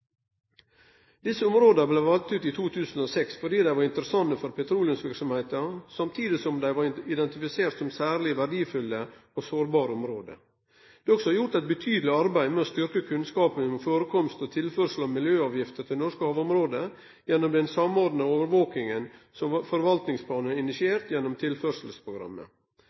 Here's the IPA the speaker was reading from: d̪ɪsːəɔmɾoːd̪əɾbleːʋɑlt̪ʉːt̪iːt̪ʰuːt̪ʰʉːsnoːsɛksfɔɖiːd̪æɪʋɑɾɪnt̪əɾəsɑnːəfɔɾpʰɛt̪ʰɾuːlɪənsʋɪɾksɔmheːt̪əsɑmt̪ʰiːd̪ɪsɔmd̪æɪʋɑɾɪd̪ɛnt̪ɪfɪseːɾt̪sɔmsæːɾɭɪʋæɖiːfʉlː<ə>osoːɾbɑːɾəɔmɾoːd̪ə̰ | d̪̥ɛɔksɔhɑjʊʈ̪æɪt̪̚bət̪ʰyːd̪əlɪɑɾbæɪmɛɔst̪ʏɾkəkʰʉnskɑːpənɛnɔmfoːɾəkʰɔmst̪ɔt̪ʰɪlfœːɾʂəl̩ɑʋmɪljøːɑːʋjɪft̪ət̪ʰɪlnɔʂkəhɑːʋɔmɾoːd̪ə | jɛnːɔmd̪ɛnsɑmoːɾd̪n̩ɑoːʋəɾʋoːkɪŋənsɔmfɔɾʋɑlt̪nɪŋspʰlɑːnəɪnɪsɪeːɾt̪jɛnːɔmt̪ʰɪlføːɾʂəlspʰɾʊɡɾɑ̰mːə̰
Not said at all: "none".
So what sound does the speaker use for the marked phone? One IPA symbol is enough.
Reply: ə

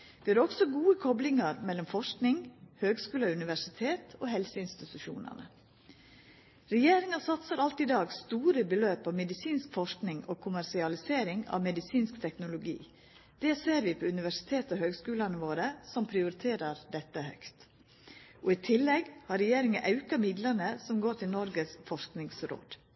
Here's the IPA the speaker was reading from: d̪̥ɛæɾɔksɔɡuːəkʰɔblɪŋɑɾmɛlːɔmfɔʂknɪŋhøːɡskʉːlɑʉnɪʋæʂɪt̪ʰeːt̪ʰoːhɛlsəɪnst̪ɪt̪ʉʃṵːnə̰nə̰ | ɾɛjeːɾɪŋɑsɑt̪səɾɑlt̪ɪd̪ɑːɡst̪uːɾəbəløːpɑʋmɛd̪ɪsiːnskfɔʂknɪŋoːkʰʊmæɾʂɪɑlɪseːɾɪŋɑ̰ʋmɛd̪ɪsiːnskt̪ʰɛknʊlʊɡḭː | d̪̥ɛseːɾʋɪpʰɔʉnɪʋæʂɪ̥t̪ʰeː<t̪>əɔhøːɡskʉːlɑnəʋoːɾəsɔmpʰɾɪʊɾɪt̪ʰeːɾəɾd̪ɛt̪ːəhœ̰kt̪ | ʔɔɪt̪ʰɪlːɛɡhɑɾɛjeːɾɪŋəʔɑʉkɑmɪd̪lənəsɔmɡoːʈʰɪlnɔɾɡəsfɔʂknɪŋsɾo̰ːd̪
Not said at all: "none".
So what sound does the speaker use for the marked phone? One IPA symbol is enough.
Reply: t̪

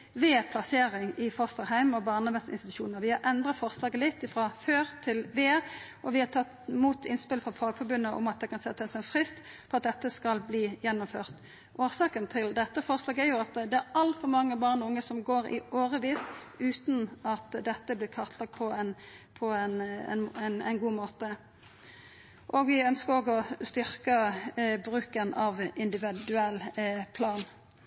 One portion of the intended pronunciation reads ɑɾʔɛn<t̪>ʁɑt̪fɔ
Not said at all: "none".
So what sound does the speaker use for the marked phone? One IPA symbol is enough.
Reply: d̪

